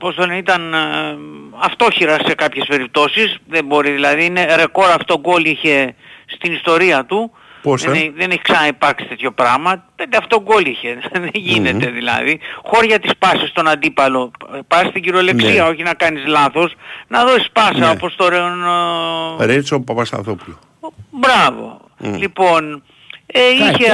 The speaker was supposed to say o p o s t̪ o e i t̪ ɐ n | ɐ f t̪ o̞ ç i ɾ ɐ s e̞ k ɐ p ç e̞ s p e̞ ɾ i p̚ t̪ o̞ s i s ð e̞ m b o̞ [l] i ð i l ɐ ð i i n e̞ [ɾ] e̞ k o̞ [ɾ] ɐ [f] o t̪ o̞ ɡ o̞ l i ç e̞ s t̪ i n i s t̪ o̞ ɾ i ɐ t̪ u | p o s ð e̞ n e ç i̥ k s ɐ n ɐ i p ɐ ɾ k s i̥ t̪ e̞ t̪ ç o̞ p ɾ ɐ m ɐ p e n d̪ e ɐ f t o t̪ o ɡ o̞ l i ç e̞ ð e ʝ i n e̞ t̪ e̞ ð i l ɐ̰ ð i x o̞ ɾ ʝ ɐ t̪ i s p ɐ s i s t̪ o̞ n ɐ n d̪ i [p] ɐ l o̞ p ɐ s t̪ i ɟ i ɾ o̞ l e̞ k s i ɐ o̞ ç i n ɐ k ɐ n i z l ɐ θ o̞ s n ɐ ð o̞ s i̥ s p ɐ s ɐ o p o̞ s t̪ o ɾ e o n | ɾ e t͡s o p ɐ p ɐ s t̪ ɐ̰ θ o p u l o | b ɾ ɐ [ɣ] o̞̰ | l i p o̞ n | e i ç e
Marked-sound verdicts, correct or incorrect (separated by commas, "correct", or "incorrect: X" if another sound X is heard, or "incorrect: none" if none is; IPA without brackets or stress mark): incorrect: ɾ, correct, correct, correct, correct, incorrect: v